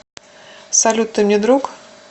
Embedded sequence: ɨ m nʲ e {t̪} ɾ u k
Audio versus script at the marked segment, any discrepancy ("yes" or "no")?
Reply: yes